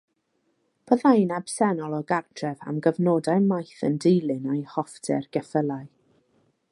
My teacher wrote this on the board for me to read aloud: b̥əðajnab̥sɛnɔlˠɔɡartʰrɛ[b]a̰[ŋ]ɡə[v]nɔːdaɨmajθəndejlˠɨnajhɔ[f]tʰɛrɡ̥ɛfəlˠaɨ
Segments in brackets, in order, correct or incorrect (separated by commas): incorrect, incorrect, correct, correct